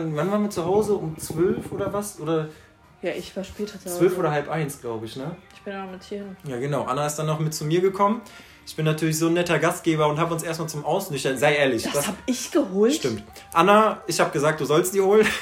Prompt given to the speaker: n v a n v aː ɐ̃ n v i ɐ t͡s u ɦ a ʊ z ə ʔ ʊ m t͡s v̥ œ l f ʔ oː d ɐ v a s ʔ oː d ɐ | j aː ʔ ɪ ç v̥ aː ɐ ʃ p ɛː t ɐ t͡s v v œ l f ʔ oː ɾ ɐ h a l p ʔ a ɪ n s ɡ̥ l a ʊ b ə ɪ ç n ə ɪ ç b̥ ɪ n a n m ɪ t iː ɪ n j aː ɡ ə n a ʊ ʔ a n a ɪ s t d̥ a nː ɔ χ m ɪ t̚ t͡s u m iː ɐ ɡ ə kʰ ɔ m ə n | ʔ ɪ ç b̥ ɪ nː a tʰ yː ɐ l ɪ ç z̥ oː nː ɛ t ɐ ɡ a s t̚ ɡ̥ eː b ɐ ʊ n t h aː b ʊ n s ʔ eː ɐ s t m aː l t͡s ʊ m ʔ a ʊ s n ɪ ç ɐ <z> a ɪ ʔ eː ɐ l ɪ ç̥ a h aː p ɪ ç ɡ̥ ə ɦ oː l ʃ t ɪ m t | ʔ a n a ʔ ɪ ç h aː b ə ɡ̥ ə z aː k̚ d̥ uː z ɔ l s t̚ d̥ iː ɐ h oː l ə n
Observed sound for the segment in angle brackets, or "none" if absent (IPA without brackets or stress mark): z